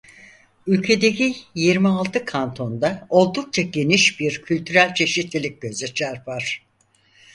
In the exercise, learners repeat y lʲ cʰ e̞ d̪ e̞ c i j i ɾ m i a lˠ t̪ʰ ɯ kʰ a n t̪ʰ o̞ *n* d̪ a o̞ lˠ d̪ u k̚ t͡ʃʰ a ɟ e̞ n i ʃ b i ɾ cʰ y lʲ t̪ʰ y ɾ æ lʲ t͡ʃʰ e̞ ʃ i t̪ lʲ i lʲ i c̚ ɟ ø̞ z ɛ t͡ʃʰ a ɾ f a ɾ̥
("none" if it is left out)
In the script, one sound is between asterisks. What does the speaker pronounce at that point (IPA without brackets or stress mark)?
n